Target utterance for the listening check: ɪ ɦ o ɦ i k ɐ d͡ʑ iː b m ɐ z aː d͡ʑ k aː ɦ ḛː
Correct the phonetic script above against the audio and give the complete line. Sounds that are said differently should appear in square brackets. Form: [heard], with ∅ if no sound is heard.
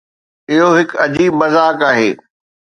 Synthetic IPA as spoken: ɪ ɦ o ɦ [ɪ] k ɐ d͡ʑ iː b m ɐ z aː [∅] k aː ɦ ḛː